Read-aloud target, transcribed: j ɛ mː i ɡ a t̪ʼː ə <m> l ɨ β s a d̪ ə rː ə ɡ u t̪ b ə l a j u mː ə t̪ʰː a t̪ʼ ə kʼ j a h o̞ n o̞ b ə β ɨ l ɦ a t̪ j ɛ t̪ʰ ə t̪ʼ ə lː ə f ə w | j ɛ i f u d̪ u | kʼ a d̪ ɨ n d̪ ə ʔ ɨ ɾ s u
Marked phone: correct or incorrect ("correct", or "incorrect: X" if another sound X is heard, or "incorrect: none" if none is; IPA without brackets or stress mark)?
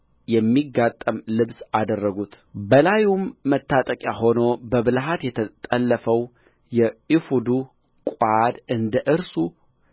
correct